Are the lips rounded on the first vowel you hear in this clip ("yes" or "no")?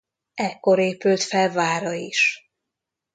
no